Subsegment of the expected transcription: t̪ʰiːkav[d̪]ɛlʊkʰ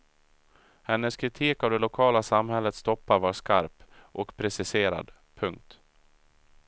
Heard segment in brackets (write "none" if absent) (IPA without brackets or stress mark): d̪